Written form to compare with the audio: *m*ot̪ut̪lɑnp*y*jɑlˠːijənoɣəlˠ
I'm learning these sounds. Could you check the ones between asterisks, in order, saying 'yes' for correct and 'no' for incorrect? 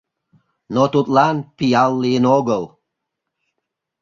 no, no

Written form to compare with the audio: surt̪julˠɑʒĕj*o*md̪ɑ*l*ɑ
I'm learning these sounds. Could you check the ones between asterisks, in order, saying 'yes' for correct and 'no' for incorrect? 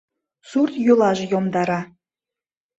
yes, no

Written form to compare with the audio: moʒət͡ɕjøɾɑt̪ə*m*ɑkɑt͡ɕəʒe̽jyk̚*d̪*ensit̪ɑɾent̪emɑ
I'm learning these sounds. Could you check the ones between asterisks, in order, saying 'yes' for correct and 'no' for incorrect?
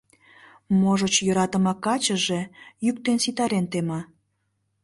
yes, no

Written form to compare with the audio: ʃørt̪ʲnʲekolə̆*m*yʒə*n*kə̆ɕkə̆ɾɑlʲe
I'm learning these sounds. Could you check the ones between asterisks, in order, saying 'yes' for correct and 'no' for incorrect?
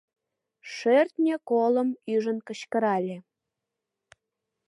yes, yes

